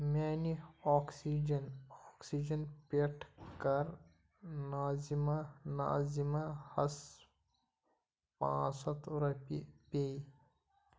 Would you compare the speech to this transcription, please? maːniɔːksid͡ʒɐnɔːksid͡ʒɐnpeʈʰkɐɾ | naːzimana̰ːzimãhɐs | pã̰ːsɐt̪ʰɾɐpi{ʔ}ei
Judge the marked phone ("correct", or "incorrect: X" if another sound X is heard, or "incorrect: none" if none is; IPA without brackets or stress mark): incorrect: p